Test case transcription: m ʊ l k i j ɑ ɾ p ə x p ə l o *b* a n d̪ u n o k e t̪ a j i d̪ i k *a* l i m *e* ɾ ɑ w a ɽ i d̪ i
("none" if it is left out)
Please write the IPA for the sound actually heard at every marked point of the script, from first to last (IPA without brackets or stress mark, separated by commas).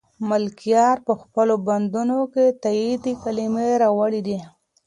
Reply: b, a, e